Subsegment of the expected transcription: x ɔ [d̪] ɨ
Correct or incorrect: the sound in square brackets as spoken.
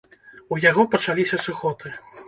incorrect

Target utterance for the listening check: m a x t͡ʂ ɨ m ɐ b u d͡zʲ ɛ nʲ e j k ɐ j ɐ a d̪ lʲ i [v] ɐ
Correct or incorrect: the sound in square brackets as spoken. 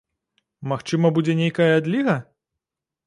incorrect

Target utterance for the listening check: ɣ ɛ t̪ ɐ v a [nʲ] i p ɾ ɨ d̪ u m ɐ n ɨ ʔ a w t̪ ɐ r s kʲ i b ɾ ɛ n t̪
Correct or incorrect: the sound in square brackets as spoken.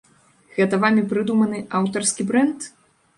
incorrect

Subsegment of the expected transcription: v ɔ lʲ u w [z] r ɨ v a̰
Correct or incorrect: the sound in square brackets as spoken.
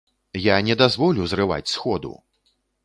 correct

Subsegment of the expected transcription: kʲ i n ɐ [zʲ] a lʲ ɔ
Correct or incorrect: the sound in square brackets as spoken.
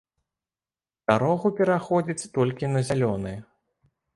correct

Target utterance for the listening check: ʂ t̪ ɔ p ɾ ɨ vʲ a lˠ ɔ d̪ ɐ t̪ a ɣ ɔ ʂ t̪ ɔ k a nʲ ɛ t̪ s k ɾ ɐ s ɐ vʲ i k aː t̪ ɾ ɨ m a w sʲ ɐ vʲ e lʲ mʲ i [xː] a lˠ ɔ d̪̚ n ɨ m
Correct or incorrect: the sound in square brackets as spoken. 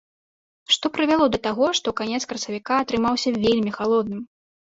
incorrect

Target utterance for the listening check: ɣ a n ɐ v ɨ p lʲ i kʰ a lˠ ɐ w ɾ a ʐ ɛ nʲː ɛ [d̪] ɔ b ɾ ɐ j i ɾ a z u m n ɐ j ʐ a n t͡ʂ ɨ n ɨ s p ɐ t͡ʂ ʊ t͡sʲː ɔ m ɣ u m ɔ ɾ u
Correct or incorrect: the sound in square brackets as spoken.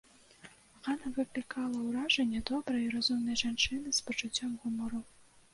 correct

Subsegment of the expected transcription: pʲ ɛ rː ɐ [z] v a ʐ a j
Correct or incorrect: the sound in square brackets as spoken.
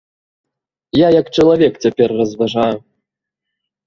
correct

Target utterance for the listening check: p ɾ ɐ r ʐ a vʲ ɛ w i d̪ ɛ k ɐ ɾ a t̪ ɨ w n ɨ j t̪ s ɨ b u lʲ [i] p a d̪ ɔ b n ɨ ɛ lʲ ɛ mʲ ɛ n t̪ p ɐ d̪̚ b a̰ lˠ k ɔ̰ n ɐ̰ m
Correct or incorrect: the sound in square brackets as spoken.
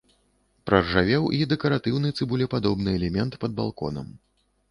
incorrect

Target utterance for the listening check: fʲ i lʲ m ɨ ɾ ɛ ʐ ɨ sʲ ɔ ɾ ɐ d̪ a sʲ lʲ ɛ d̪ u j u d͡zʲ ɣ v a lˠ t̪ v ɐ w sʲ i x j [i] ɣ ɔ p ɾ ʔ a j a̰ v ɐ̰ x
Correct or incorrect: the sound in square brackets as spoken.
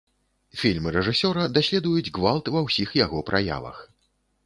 incorrect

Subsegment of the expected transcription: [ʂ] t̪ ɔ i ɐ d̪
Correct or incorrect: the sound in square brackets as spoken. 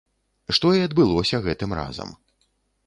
correct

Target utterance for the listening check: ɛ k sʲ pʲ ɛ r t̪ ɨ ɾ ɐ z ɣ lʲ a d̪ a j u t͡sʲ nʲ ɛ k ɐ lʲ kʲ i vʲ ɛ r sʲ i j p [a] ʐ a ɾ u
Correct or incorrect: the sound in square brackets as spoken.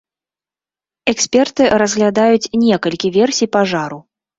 correct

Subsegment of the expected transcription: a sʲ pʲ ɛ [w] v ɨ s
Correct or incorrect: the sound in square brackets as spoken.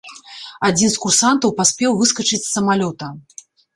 correct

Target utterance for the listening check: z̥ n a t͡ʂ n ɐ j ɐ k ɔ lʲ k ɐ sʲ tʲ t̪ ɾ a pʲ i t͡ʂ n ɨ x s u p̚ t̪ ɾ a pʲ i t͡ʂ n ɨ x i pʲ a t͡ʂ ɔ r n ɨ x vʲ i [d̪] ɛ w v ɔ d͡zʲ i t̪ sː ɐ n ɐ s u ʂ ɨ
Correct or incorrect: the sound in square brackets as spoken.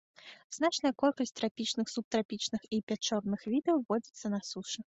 correct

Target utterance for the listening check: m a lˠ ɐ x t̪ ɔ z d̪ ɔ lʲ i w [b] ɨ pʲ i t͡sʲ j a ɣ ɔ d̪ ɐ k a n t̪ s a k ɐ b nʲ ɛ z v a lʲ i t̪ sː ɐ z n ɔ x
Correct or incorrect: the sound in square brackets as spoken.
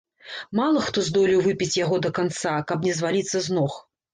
incorrect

